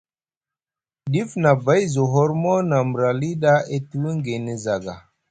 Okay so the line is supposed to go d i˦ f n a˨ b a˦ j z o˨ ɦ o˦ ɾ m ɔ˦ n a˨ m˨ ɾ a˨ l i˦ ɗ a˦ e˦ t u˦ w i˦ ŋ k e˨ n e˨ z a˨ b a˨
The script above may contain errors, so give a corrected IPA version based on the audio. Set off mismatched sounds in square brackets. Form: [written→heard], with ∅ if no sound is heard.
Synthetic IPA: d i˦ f n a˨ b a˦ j z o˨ ɦ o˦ ɾ m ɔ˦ n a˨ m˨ ɾ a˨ l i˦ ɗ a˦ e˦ t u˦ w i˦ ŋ [k→ɡ] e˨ n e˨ z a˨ [b→ɡ] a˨